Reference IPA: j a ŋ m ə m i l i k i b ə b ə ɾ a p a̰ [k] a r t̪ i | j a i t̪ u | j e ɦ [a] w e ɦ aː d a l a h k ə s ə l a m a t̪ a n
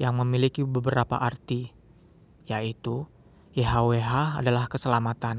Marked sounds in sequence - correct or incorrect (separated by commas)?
incorrect, correct